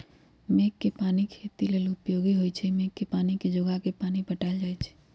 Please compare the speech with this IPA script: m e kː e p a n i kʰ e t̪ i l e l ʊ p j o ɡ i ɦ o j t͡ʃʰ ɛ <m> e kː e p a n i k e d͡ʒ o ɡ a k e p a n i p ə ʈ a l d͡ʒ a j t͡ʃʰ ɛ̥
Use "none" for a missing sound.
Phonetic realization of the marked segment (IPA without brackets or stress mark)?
m